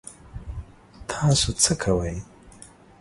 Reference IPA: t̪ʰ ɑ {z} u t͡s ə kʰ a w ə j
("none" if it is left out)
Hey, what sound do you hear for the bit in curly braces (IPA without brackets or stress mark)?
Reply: s